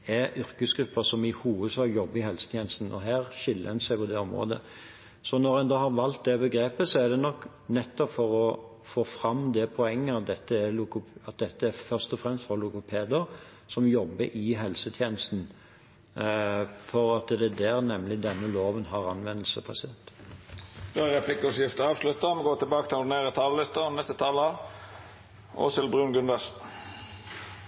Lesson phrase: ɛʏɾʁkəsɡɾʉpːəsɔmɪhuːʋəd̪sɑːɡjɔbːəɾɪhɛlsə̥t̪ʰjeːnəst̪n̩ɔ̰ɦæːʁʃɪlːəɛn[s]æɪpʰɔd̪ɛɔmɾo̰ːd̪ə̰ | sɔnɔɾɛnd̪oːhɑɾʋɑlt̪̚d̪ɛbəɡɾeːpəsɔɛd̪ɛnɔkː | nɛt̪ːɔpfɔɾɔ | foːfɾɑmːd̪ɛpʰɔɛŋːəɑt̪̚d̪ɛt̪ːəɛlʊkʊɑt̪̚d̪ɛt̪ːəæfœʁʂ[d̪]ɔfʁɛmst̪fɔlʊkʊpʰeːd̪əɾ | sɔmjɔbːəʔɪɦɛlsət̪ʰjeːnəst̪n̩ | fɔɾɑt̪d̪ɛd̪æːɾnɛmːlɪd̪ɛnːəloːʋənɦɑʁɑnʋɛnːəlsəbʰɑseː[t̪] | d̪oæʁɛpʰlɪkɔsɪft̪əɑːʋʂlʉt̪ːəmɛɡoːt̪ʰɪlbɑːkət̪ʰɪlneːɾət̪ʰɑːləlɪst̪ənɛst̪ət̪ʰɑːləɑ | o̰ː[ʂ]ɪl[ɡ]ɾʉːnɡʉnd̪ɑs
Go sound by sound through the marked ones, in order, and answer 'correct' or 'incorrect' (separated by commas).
correct, incorrect, correct, incorrect, incorrect